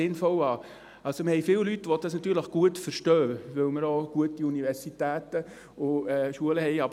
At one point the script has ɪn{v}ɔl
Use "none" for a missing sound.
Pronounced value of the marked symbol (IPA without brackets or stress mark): f